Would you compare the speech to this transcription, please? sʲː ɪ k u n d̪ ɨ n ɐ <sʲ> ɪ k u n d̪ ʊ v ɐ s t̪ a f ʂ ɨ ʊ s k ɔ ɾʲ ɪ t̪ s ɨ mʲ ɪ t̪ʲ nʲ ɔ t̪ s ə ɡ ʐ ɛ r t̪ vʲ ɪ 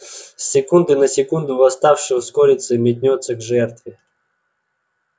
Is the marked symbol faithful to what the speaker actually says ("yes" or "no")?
yes